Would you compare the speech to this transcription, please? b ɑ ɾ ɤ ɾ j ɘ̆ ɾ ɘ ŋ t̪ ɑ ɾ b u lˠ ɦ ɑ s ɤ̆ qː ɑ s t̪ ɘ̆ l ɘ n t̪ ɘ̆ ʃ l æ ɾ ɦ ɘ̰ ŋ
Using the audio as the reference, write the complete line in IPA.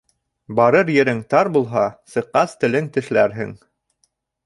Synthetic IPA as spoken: b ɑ ɾ ɤ ɾ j ɘ̆ ɾ ɘ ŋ t̪ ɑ ɾ b u lˠ ɦ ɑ s ɤ̆ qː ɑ s t̪ ɘ̆ l ɘ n t̪ ɘ̆ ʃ l æ ɾ ɦ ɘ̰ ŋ